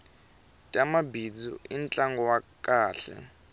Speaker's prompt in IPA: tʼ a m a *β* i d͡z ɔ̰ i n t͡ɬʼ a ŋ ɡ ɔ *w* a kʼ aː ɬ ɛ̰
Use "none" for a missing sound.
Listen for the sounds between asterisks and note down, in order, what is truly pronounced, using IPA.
b, w

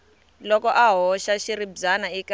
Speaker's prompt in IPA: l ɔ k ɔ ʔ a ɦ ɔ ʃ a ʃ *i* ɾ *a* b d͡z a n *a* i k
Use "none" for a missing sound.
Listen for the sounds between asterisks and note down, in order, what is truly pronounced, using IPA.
i, i, a

